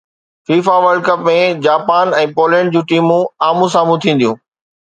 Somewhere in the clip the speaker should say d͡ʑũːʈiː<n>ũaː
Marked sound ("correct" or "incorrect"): incorrect